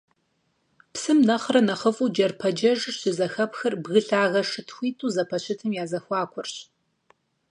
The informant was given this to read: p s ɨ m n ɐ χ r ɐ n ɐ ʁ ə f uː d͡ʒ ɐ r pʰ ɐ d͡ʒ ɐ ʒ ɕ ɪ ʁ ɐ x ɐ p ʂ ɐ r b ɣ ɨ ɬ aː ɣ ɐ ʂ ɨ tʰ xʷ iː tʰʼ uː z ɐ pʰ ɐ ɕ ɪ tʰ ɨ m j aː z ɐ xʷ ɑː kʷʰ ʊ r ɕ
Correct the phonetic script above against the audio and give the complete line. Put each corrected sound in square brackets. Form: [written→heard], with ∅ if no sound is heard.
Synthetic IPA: p s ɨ m n ɐ χ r ɐ n ɐ [ʁ→χ] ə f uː d͡ʒ ɐ r pʰ ɐ d͡ʒ ɐ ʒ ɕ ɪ [ʁ→z] ɐ x ɐ p [ʂ→x] ɐ r b ɣ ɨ ɬ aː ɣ ɐ ʂ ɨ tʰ xʷ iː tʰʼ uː z ɐ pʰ ɐ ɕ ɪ tʰ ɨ m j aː z ɐ xʷ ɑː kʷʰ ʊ r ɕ